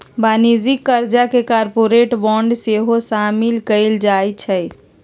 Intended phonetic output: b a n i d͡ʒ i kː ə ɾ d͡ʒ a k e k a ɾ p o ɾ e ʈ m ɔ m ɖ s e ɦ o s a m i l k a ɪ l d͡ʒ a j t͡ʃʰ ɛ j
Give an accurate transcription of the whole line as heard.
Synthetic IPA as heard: b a n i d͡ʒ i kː ə ɾ d͡ʒ a k e k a ɾ p o ɾ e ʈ b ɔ ɳ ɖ s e ɦ o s a m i l k ə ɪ l d͡ʒ a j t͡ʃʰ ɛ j